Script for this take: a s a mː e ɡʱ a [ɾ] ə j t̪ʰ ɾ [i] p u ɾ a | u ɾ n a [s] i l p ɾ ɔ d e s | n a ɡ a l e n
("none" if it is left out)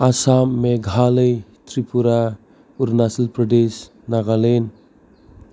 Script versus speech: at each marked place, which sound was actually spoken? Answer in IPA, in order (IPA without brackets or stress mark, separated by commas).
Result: l, i, s